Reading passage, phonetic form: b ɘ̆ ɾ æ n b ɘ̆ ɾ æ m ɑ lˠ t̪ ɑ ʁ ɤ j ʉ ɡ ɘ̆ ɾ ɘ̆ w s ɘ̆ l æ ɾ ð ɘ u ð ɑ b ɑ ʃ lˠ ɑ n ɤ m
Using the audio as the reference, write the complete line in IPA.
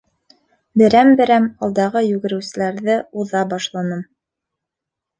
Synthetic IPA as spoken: b ɘ̆ ɾ æ m b ɘ̆ ɾ æ m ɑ lˠ d̪ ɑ ʁ ɤ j ʉ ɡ ɘ̆ ɾ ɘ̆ w s ɘ̆ l æ ɾ ð ɘ u ð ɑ b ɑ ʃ lˠ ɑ n ɤ m